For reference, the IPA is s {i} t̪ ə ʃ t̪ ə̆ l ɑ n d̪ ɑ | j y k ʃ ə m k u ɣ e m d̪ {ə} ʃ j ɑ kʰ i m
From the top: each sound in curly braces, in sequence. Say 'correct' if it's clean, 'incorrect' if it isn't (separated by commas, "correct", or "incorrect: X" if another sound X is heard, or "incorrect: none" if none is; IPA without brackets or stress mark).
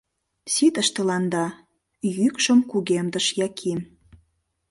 correct, correct